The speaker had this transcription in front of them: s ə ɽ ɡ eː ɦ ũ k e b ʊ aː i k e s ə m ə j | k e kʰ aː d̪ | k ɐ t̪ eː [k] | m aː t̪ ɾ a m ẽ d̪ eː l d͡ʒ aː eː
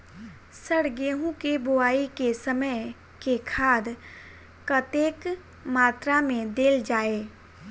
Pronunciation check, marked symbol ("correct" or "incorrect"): correct